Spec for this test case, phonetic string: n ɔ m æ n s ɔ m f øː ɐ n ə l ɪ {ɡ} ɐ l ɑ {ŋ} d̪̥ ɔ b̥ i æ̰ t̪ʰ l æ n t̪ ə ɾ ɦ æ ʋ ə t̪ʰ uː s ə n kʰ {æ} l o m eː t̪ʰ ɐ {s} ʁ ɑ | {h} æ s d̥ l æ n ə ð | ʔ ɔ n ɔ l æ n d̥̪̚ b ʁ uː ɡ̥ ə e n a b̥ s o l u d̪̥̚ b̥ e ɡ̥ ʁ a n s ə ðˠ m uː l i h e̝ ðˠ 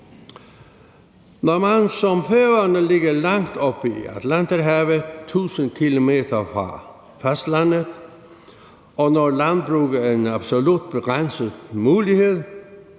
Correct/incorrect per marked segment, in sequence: correct, correct, incorrect, incorrect, incorrect

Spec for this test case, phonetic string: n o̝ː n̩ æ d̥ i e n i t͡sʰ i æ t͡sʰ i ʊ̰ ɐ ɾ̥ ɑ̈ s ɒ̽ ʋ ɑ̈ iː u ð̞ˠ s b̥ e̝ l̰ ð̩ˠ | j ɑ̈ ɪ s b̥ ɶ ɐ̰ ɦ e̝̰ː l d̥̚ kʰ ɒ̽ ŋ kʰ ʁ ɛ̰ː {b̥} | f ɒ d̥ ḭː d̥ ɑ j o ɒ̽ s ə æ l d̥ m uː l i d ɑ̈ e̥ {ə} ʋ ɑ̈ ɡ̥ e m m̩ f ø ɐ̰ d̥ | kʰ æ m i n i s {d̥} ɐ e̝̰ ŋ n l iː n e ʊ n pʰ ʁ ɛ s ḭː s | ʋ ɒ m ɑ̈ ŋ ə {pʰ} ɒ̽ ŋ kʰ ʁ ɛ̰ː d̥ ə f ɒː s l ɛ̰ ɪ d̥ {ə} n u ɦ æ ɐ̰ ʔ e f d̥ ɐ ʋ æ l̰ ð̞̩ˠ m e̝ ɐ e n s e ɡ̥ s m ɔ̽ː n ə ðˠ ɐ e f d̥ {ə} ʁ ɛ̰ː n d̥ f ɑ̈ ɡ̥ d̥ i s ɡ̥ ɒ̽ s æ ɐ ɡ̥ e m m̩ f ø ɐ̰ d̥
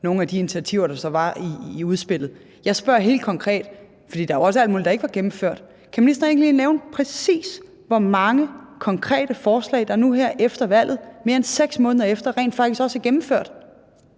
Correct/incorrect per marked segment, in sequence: incorrect, correct, correct, incorrect, incorrect, incorrect

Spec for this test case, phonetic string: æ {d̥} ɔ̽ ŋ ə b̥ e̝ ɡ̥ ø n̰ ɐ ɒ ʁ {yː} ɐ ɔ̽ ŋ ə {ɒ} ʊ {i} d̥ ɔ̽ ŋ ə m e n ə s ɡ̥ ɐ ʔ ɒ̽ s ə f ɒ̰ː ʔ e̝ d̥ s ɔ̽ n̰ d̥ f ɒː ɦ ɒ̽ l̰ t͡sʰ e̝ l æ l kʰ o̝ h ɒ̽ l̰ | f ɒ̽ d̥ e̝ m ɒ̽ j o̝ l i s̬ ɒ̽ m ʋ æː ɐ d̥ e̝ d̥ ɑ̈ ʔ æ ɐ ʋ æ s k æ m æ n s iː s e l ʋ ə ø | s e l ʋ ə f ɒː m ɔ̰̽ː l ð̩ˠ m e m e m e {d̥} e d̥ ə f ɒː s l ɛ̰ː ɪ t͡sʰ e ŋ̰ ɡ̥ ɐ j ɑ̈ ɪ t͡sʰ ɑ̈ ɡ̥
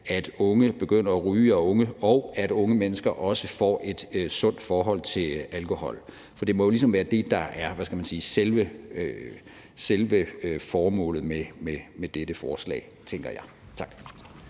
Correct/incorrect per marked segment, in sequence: correct, correct, correct, incorrect, correct

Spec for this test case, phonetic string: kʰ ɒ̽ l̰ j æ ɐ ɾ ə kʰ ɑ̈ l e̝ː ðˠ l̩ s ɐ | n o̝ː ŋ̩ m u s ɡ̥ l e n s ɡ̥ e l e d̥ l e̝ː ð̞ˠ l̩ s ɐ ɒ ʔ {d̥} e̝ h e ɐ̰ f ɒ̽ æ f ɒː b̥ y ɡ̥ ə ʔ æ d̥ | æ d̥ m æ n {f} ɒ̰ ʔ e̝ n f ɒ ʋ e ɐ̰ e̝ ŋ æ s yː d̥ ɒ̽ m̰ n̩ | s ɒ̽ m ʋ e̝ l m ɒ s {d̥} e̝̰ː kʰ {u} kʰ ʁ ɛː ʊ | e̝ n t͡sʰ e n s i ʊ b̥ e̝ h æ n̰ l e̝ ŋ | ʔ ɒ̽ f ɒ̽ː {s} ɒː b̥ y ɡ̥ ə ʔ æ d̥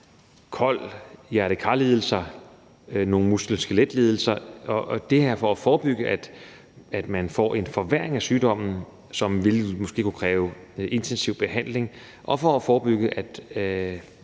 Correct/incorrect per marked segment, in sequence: correct, correct, incorrect, correct, incorrect

